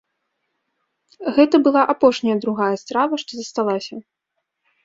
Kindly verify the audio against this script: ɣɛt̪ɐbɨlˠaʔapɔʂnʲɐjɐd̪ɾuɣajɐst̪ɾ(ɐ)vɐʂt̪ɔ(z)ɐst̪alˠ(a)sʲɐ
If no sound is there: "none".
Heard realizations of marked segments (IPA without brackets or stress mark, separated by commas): a, z, a